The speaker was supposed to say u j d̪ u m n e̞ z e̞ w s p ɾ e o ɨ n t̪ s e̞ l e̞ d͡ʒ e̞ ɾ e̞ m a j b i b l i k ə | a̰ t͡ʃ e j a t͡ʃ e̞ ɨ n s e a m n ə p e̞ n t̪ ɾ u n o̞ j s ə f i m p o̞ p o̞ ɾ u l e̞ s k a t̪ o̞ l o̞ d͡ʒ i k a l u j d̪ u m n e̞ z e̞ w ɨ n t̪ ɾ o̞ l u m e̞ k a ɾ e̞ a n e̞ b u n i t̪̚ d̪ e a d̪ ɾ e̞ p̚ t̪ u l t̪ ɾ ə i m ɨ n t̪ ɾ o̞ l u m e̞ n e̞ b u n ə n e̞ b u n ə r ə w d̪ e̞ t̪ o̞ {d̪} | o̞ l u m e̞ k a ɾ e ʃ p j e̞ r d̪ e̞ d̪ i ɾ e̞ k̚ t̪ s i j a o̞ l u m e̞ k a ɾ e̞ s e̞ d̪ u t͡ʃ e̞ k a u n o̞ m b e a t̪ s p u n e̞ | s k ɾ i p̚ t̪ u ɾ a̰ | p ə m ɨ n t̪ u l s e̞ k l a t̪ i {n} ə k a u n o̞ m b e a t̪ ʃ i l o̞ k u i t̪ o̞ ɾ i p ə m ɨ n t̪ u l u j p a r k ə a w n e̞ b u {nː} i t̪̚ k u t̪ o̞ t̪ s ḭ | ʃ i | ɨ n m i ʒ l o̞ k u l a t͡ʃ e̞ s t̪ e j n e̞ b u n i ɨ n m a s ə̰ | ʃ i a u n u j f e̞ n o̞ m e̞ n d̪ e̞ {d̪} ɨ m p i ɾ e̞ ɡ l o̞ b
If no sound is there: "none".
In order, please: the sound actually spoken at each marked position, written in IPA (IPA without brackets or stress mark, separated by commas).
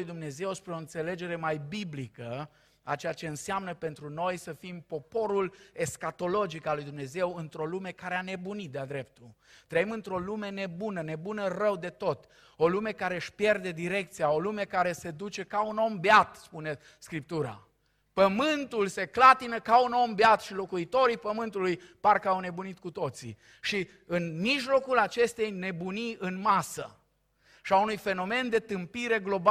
t̪, n, n, t̪